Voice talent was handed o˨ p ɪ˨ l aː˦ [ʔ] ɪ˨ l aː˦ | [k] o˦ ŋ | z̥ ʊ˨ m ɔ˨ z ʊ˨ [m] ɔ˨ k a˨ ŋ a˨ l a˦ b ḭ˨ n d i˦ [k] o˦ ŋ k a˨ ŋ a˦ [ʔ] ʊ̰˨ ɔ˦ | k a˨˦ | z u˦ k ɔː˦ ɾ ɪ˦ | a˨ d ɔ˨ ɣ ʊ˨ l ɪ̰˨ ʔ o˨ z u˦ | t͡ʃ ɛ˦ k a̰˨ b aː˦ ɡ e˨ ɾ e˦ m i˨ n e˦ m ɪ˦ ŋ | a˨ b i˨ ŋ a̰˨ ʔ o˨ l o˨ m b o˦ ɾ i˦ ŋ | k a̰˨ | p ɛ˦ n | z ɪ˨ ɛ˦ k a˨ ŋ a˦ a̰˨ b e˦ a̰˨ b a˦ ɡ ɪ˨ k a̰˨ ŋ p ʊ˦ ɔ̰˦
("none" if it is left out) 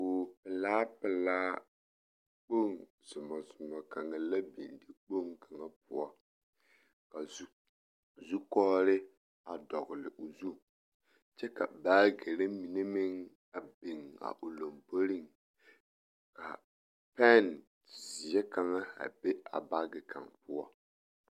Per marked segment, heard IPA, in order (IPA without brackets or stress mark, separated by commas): p, k͡p, m, k͡p, p